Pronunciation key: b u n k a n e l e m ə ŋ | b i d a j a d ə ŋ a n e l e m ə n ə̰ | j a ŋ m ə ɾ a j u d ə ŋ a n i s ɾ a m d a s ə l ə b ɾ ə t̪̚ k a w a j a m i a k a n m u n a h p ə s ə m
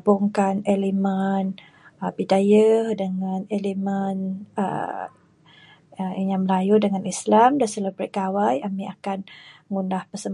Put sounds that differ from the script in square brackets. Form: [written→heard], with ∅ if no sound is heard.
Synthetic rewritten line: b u [n→ŋ] k a n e l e m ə [ŋ→n] | b i d a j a d ə ŋ a n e l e m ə n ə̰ | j a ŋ m ə [ɾ→l] a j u d ə ŋ a n i s [ɾ→l] a m d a s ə l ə b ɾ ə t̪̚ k a w a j a m i a k a n [m→ŋ] u n a h p ə s ə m

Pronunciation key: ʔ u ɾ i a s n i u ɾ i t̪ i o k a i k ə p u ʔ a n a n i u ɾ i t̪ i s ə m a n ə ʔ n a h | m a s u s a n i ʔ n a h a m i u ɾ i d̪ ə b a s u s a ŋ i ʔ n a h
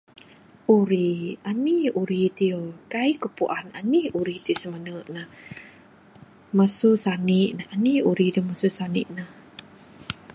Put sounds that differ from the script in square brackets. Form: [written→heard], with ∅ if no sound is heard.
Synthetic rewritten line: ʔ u ɾ i a [s→∅] n i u ɾ i t̪ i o k a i k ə p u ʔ a n a n i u ɾ i t̪ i s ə m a n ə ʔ n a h | m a s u s a n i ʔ n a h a [m→n] i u ɾ i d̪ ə [b→m] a s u s a [ŋ→n] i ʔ n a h

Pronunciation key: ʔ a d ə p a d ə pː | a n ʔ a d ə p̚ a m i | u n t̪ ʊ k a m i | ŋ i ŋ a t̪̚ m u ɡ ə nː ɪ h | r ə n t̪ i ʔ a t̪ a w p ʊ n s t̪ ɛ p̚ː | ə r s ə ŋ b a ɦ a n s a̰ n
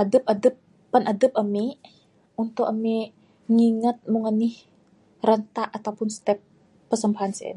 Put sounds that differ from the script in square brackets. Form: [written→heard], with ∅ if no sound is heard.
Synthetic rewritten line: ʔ a d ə p a d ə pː | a n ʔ a d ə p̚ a m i | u n t̪ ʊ k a m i | ŋ i ŋ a t̪̚ m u [ɡ→ŋ] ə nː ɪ h | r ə n t̪ [i→a] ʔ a t̪ a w p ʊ n s t̪ ɛ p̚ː | ə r s ə [ŋ→m] b a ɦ a n s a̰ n

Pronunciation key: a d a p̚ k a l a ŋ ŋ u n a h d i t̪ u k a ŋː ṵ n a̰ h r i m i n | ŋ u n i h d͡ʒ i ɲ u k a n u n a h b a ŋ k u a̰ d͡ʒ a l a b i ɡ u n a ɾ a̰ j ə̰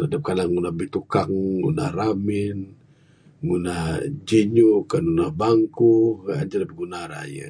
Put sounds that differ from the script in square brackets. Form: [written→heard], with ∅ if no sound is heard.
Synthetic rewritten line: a d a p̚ k a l a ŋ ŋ u n a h [d→b] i t̪ u k a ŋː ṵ n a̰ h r [i→a] m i n | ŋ u n [i→a] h d͡ʒ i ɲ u k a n u n a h b a ŋ k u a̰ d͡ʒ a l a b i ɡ u n a ɾ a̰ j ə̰

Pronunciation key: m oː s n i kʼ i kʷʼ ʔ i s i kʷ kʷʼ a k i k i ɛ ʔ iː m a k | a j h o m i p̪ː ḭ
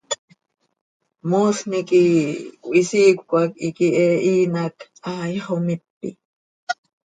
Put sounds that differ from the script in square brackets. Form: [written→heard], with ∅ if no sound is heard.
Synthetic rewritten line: m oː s n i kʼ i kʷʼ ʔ i s i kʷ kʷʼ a k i k i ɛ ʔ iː [m→n] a k | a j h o m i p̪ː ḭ

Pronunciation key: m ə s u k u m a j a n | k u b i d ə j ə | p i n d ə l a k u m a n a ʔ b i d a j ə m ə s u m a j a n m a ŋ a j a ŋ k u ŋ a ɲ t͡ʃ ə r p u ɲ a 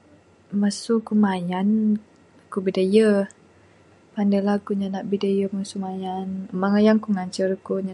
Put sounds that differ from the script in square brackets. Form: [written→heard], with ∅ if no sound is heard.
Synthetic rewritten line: m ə s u k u m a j a n | k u b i d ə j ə | p [i→a] n d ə l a k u [m→ɲ] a n a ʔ b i d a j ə m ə s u m a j a n m a ŋ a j a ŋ k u ŋ a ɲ t͡ʃ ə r [p→k] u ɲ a

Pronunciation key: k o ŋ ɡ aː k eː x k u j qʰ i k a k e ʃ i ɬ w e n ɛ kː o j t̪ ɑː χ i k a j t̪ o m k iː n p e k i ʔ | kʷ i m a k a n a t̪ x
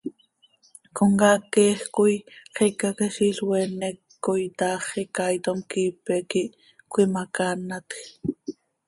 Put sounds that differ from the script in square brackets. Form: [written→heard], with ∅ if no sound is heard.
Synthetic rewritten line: k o ŋ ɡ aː k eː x k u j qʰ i k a k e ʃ i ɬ w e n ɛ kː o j t̪ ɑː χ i k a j t̪ o m k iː [n→∅] p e k i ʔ | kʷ i m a k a n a t̪ x

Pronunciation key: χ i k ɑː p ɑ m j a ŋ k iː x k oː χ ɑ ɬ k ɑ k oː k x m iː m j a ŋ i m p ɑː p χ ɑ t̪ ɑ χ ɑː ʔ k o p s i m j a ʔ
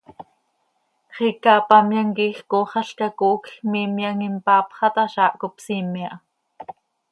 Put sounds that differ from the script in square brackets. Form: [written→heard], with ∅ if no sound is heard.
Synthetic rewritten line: χ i k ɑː p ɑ m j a ŋ k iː x k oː χ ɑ ɬ k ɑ k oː k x m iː m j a ŋ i m p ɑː p χ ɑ t̪ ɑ [χ→ʃ] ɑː ʔ k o p s i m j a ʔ

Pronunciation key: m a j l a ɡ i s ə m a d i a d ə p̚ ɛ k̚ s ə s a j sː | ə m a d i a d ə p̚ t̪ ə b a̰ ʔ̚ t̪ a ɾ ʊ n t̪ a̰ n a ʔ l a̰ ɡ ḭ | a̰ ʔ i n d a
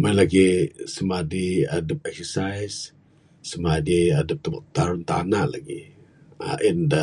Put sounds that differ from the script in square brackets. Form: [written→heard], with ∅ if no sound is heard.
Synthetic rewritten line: m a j l a ɡ i s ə m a d i a d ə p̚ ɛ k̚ s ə s a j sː | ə m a d i a d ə p̚ t̪ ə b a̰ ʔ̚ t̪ a ɾ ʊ n t̪ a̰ n a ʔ l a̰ ɡ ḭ | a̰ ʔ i n d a

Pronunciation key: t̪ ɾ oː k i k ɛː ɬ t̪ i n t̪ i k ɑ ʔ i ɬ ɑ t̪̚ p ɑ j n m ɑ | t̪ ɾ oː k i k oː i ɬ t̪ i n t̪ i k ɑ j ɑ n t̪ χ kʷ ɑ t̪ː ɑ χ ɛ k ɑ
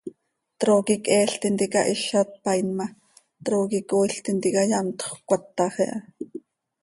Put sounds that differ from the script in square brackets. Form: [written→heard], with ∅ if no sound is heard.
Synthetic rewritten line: t̪ ɾ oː k i k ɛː ɬ t̪ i n t̪ i k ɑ ʔ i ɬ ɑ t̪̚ p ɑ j n m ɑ | t̪ ɾ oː k i k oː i ɬ t̪ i n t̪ i k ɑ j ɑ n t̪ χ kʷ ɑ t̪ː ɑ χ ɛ [k→ʔ] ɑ

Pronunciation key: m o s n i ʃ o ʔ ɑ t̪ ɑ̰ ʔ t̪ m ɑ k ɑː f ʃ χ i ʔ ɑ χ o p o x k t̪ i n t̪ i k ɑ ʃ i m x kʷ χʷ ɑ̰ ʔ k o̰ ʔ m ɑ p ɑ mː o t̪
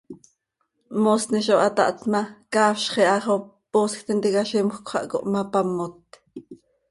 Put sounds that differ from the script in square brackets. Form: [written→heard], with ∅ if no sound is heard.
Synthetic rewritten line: m o s n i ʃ o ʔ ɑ t̪ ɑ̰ ʔ t̪ m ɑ k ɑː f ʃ χ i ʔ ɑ χ o p o [x→s] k t̪ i n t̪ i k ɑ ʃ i m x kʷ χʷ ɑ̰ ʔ k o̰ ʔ m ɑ p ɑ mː o t̪

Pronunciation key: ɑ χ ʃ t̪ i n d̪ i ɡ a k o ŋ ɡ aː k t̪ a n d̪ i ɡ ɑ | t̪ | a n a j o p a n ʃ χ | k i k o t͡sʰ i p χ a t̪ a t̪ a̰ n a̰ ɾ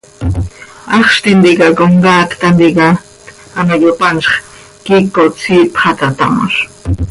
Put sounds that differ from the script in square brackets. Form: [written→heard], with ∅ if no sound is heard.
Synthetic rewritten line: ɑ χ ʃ t̪ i n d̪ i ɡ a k o ŋ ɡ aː k t̪ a n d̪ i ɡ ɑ | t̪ | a n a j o p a n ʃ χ | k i k o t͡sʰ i p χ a t̪ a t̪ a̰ [n→m] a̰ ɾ

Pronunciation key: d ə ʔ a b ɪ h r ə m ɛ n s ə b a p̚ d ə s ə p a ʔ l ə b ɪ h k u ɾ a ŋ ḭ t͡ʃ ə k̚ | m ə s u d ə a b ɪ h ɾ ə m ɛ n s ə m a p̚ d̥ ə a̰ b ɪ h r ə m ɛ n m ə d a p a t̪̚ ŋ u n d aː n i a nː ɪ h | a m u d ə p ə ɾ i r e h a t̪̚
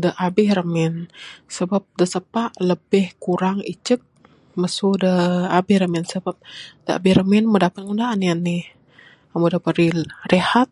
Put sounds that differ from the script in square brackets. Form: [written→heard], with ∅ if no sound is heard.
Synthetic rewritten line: d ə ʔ a b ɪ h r ə m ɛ n s ə b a p̚ d ə s ə p a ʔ l ə b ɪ h k u ɾ a ŋ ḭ t͡ʃ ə k̚ | m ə s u d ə a b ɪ h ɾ ə m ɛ n s ə [m→b] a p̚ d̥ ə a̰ b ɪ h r ə m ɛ n m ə d a p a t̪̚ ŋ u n d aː n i a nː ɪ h | a m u d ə p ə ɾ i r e h a t̪̚

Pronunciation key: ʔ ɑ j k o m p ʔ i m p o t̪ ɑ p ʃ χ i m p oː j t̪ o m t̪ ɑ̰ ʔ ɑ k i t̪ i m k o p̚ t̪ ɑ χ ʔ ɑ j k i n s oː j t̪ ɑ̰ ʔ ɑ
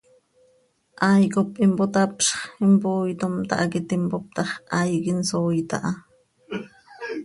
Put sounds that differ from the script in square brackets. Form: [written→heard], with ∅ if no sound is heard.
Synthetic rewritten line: ʔ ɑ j k o [m→∅] p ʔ i m p o t̪ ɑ p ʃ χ i m p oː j t̪ o m t̪ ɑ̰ ʔ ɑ k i t̪ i m [k→p] o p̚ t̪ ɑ χ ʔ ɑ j k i n s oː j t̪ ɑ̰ ʔ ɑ

